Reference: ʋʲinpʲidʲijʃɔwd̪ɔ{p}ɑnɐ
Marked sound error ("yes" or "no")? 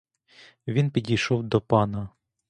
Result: no